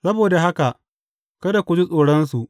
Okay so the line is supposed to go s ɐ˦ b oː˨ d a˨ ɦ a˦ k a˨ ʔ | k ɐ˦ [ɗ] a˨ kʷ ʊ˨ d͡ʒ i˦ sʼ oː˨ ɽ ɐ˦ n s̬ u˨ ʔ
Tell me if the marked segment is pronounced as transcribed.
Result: no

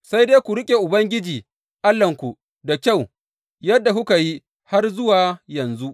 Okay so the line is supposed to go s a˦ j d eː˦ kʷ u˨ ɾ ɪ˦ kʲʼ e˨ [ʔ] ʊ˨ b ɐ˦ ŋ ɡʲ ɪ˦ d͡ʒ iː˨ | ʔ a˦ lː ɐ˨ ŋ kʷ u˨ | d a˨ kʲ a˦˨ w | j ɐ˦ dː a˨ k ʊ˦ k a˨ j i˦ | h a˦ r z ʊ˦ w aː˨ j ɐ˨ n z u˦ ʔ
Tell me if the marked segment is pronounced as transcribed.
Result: yes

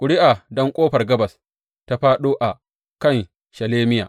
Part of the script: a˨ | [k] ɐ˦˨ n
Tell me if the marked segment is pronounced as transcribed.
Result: yes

